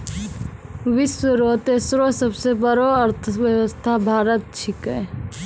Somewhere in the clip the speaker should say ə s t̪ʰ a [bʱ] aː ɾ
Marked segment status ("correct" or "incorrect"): correct